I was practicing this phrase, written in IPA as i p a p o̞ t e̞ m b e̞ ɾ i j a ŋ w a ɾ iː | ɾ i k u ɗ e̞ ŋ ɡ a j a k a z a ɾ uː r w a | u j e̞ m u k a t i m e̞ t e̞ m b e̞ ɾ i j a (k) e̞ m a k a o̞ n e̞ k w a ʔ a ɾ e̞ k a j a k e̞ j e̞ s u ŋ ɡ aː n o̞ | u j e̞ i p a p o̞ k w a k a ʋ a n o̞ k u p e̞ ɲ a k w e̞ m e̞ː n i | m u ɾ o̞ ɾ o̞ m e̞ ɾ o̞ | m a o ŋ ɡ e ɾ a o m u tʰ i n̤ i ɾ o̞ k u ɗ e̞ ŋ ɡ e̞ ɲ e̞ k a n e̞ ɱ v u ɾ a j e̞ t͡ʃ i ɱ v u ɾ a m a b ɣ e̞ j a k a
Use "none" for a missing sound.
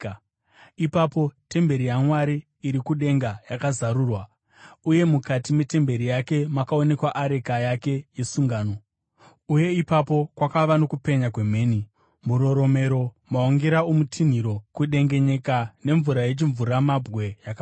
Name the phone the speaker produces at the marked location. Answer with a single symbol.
k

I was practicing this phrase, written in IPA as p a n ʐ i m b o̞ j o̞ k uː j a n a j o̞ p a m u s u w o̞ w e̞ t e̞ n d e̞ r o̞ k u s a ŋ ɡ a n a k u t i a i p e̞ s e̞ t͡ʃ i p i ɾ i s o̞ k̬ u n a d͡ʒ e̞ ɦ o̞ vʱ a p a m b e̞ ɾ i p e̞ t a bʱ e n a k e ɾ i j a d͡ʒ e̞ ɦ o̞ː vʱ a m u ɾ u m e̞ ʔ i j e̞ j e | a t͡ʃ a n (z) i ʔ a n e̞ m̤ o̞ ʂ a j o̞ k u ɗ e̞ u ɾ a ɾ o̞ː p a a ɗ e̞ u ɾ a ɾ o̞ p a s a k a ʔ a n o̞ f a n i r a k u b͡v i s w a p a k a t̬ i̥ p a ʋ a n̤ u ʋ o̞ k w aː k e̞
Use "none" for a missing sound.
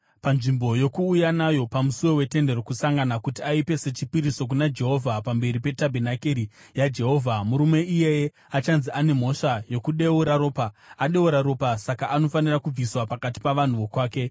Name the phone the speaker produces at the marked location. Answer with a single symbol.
z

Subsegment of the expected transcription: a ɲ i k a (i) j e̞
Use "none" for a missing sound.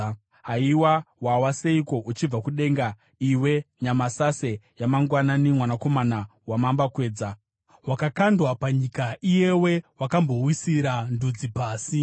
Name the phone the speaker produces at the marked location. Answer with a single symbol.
i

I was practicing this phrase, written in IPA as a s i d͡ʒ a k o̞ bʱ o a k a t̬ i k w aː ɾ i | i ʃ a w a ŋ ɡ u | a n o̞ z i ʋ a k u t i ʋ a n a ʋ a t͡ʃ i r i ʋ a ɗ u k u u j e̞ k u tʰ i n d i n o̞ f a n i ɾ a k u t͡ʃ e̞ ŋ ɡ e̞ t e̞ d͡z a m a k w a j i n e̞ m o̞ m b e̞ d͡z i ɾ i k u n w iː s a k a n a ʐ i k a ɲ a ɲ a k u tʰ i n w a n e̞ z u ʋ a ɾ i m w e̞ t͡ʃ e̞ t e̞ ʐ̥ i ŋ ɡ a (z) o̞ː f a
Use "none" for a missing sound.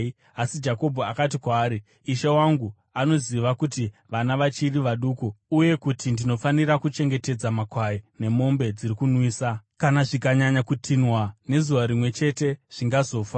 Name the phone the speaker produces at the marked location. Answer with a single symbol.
z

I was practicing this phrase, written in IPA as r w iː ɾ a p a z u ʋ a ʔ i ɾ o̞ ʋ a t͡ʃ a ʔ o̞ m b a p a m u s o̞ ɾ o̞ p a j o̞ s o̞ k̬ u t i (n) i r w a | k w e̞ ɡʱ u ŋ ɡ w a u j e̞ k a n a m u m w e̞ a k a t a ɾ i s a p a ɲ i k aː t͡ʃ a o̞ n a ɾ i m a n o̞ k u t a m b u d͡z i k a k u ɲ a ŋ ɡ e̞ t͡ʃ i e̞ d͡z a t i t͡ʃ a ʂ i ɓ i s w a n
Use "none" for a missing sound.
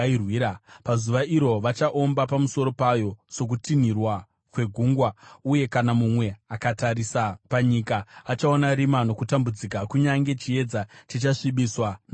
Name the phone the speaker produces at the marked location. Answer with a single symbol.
n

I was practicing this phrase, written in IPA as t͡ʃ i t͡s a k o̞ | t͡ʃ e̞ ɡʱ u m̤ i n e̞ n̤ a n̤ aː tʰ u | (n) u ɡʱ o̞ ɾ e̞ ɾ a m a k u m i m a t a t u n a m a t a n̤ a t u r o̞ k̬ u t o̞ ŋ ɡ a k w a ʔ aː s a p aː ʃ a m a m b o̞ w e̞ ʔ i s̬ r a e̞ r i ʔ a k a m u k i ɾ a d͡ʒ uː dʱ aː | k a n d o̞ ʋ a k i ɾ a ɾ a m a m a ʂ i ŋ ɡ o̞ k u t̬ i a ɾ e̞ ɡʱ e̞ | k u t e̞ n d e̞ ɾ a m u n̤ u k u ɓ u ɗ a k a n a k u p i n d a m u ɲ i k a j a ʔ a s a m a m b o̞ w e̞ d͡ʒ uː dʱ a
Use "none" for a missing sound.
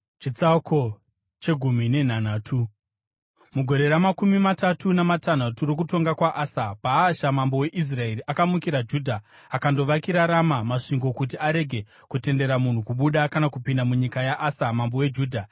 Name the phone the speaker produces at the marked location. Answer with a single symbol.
m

